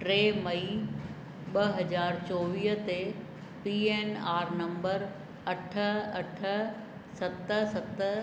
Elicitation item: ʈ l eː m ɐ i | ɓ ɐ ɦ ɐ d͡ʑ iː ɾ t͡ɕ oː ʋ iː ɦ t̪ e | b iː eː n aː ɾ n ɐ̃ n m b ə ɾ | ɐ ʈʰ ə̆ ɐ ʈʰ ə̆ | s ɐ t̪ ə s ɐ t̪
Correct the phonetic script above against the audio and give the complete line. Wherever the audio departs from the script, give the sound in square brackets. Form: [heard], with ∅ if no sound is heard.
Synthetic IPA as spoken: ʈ [ɾ] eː m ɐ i | ɓ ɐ ɦ ɐ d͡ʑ [aː] ɾ t͡ɕ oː ʋ iː ɦ t̪ e | [p] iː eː n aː ɾ n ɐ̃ [∅] m b ə ɾ | ɐ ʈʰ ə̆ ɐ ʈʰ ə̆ | s ɐ t̪ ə s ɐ t̪